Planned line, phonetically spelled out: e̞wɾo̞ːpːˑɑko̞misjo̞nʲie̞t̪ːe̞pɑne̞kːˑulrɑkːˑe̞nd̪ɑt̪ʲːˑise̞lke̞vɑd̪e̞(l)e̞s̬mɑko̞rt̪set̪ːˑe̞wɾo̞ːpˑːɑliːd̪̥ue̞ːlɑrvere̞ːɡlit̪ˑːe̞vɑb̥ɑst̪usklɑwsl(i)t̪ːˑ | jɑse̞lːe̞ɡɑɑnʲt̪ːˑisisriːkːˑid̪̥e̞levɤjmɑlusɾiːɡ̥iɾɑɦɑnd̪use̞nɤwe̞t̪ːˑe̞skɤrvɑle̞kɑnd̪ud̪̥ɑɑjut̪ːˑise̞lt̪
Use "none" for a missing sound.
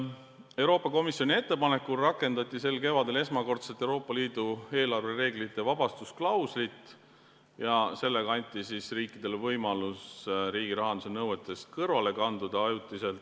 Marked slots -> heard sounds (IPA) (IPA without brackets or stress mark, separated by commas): l, i